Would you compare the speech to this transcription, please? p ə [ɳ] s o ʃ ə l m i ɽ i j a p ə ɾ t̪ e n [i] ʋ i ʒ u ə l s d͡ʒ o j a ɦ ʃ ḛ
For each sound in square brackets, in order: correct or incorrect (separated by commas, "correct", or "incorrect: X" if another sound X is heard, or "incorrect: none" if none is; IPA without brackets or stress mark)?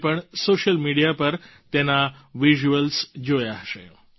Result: correct, incorrect: a